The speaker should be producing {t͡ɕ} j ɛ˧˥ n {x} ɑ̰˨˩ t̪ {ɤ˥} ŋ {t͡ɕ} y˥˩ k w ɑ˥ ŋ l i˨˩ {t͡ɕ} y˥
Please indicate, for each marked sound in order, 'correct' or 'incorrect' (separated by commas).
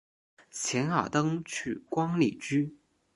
incorrect, correct, correct, incorrect, correct